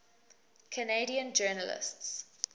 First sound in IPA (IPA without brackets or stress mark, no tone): kʰ